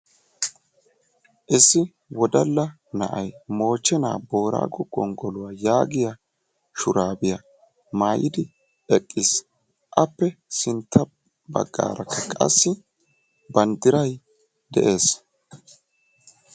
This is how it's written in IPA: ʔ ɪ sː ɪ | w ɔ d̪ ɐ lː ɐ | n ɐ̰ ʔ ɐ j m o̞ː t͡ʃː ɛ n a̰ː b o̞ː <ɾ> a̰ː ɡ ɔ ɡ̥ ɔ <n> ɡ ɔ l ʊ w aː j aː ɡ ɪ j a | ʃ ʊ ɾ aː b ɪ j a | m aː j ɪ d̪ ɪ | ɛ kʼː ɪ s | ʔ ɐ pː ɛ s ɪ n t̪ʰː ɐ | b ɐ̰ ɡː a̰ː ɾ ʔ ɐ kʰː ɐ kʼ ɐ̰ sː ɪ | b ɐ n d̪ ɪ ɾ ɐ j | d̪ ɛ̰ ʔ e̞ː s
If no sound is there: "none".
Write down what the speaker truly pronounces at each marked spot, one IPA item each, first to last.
ɾ, ŋ

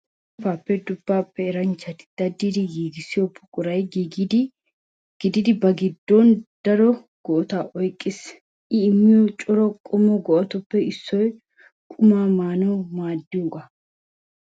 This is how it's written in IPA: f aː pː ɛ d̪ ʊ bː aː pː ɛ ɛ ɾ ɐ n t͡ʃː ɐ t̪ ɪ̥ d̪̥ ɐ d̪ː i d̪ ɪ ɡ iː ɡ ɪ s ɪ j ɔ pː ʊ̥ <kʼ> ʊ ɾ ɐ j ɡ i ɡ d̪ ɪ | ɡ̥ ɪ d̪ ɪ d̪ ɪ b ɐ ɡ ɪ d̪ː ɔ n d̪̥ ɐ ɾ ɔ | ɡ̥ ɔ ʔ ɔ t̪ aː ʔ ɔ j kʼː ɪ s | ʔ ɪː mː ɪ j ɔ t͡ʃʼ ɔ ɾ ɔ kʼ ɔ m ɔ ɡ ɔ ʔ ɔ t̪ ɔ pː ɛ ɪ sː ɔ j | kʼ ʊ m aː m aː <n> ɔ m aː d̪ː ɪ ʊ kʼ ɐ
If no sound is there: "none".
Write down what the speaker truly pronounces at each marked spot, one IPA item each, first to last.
kʼ, n

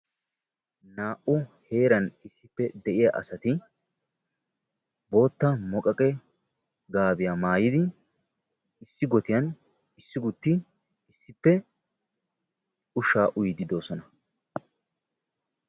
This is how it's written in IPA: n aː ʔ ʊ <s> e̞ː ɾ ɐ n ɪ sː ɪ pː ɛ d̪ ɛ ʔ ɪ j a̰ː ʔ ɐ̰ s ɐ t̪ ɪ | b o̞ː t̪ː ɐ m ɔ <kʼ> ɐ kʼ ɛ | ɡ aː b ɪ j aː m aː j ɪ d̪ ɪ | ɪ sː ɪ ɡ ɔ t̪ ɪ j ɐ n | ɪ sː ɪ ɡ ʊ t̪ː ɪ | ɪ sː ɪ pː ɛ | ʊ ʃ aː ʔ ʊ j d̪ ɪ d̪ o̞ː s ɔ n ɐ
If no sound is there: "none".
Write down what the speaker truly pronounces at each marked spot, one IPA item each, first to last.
h, kʼ

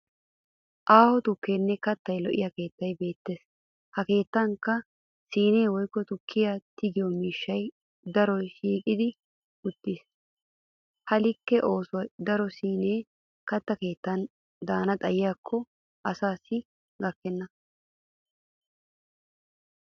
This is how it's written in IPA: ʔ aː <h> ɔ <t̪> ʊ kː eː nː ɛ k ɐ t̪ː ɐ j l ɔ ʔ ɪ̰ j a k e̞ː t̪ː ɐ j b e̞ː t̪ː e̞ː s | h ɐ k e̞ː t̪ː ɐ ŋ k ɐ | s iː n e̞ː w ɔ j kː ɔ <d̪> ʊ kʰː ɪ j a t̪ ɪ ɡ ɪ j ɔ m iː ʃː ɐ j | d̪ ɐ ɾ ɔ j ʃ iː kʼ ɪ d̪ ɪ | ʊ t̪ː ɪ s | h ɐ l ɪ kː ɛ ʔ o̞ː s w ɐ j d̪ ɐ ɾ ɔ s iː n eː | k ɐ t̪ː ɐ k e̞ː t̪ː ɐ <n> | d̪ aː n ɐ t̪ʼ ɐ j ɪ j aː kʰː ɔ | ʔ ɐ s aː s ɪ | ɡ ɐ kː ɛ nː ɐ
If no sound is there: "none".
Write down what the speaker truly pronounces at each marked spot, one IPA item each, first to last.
h, t̪, t̪, n

